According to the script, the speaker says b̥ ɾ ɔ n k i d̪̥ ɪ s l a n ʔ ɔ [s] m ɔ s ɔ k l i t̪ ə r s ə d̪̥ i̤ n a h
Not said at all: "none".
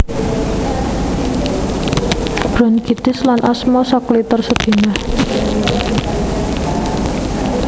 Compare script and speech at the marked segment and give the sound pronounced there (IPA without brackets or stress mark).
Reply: s